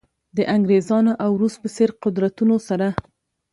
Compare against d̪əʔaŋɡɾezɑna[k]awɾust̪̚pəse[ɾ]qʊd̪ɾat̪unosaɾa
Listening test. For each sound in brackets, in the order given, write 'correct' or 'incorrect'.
incorrect, correct

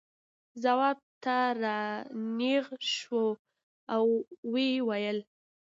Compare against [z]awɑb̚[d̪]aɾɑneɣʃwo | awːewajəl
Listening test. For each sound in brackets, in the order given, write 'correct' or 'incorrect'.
correct, incorrect

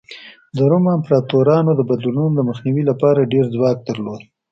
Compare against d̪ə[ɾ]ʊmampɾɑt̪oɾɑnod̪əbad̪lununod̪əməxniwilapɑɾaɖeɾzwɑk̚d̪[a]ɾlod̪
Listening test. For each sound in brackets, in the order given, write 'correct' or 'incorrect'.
correct, incorrect

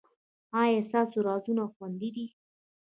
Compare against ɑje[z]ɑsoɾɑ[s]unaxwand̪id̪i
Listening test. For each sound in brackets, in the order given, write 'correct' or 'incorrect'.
incorrect, incorrect

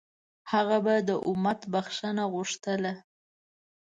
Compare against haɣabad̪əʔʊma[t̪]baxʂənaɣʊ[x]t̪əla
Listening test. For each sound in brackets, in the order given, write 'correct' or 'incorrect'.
correct, incorrect

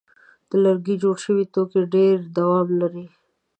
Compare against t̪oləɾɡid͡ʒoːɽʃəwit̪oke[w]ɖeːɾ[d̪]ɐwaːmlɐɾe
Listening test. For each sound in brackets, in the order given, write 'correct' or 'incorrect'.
incorrect, correct

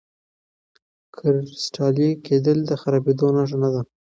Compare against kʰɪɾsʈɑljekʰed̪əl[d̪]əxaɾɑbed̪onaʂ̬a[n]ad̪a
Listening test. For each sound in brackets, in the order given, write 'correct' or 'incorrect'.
correct, correct

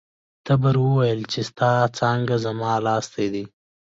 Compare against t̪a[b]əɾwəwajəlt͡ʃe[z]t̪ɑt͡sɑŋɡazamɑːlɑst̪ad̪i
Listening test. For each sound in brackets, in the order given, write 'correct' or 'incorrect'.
correct, incorrect

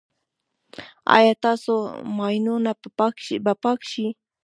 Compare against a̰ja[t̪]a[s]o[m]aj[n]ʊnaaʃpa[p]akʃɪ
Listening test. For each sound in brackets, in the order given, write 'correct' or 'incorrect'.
correct, correct, correct, correct, correct

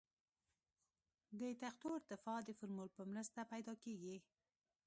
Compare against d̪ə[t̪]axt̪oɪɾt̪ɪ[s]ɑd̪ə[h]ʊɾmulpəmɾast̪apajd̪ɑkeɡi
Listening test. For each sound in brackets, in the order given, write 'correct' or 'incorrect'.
correct, incorrect, incorrect

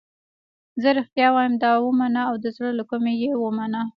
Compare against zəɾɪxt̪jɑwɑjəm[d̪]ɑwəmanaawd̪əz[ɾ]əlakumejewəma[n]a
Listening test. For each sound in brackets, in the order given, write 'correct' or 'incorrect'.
correct, incorrect, correct

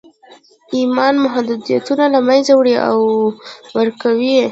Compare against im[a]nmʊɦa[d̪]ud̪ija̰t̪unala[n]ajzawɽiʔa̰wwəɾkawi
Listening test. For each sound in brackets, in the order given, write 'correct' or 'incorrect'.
incorrect, correct, incorrect

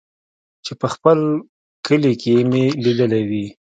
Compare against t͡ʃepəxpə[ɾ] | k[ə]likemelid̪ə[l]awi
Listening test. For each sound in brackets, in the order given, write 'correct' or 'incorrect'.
incorrect, correct, correct

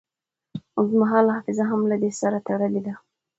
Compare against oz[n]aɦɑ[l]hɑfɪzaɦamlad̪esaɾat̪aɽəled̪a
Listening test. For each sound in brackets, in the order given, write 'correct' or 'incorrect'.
incorrect, correct

